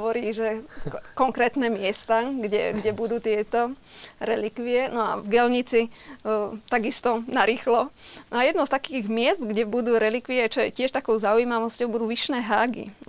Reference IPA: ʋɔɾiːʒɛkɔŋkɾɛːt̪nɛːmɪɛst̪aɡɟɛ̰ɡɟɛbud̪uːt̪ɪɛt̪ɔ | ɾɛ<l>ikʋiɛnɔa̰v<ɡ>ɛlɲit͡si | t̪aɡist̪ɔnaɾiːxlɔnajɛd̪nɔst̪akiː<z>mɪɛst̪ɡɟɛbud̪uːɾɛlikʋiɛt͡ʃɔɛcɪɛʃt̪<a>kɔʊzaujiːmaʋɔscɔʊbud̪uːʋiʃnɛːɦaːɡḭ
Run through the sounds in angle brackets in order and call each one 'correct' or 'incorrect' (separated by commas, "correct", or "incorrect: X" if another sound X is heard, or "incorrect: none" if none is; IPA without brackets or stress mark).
correct, correct, incorrect: ɣ, correct